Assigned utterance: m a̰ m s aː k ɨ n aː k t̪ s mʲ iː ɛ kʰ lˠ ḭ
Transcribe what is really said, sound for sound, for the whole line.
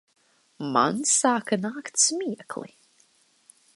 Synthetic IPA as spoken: m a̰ n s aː k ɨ n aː k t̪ s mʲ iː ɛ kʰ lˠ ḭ